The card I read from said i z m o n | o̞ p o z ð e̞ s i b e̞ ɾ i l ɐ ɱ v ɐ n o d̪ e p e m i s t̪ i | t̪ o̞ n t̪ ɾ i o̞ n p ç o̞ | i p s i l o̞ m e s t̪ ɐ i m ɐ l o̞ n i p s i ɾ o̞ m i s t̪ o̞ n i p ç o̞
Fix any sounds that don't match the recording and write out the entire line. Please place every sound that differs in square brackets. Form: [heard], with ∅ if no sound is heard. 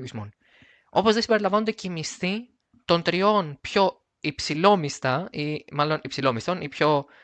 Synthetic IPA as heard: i z m o n | o̞ p o z ð e̞ s i b e̞ ɾ i l ɐ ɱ v ɐ n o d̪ e [c] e m i s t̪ i | t̪ o̞ n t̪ ɾ i o̞ n p ç o̞ | i p s i l o̞ m [i] s t̪ ɐ i m ɐ l o̞ n i p s i [l] o̞ m i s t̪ o̞ n i p ç o̞